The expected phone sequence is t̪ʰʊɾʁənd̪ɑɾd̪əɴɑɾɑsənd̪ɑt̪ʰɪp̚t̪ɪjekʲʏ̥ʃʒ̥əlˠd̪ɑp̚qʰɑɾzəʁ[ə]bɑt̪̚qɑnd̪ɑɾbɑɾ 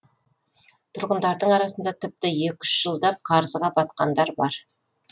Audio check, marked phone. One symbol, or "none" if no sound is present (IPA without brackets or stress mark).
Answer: ɑ